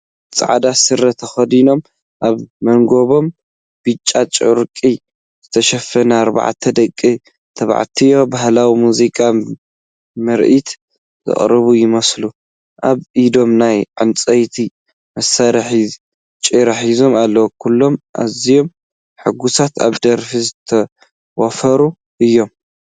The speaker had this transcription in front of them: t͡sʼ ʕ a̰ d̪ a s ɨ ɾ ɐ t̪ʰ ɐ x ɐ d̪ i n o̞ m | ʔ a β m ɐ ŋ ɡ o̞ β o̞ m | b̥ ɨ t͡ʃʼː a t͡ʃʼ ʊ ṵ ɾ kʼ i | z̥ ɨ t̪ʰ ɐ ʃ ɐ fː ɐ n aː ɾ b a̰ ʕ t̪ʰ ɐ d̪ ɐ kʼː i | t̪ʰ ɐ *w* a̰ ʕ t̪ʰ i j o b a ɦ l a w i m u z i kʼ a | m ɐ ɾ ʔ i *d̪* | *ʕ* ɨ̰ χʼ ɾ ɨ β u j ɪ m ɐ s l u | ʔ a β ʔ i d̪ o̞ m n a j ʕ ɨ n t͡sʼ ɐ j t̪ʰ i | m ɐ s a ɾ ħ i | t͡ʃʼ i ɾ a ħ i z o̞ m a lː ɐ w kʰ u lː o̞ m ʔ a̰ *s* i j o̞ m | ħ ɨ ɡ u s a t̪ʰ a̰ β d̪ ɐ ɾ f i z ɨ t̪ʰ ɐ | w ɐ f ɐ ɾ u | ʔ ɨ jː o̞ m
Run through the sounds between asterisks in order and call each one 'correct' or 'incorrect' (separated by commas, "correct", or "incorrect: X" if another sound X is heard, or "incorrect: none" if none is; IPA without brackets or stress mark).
incorrect: β, incorrect: t̪, incorrect: z, incorrect: z